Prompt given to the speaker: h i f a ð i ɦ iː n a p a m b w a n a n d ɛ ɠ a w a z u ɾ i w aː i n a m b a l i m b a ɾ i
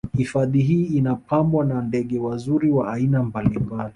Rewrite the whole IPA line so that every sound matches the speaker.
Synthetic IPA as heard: h i f a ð i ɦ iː n a p a m b w a n a n d ɛ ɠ ɛ w a z u ɾ i w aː i n a m b a l i m b a l i